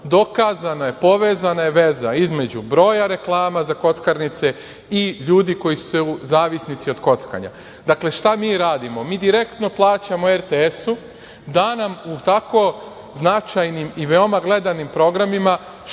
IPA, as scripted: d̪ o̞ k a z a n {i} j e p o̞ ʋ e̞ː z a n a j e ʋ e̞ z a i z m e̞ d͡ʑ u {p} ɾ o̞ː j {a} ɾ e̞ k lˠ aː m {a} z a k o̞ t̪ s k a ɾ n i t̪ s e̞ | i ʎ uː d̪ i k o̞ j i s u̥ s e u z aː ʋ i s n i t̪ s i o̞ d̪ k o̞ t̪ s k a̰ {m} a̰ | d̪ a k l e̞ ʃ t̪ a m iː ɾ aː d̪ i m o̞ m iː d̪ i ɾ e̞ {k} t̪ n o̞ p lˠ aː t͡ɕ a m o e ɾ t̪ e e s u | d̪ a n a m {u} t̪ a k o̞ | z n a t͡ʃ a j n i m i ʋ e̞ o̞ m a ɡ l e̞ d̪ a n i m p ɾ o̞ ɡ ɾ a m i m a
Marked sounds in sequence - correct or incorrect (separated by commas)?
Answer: incorrect, incorrect, correct, correct, incorrect, correct, correct